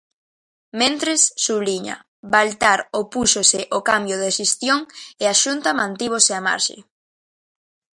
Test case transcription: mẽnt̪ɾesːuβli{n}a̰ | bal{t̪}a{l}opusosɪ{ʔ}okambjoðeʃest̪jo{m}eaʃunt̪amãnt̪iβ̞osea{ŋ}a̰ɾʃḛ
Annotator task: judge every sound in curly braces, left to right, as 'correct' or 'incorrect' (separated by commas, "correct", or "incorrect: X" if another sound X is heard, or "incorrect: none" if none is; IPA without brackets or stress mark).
incorrect: ɲ, correct, incorrect: ɾ, correct, incorrect: ŋ, incorrect: m